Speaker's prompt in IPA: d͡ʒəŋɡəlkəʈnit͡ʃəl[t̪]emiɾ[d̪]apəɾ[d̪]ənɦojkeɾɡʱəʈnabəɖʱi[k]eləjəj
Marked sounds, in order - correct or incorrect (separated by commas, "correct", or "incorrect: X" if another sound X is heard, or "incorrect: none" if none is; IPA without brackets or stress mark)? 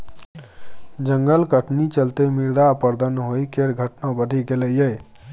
correct, correct, correct, incorrect: ɡ